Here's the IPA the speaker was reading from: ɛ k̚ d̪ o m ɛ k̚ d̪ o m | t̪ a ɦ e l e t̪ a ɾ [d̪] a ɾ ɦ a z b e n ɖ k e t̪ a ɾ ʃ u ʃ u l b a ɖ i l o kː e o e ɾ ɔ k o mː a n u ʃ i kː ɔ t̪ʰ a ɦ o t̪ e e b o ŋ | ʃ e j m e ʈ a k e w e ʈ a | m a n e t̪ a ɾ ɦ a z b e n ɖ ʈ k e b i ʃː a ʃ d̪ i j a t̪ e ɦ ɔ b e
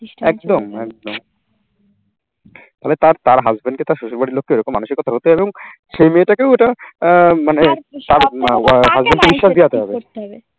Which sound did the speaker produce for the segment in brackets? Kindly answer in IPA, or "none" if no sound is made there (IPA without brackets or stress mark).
t̪